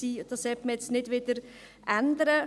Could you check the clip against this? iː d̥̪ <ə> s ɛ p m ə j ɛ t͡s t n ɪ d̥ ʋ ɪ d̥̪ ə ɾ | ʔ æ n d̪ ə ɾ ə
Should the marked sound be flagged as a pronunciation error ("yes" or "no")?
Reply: yes